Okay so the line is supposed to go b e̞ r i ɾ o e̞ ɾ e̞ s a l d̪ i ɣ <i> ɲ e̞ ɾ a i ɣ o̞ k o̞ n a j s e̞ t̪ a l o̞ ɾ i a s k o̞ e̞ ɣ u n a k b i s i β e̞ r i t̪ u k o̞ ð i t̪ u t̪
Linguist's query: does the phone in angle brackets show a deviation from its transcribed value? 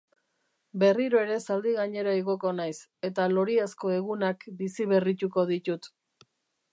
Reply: yes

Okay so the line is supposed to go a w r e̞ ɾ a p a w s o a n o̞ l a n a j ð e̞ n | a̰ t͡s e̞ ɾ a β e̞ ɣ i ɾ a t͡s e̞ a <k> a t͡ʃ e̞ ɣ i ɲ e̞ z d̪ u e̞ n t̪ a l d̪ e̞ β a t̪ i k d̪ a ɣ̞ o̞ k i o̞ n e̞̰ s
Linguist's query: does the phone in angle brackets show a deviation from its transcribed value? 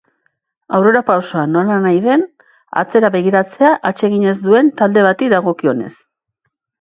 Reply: yes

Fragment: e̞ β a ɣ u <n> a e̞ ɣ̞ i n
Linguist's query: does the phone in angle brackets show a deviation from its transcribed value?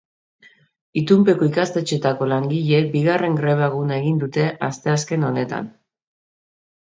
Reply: no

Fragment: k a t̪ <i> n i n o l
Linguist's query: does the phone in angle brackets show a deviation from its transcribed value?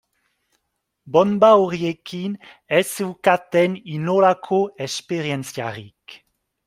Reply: yes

